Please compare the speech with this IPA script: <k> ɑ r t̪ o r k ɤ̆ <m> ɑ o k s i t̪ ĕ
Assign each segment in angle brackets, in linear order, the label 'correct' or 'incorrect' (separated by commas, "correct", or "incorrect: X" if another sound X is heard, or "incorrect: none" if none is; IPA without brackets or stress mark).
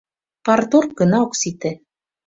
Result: incorrect: p, incorrect: n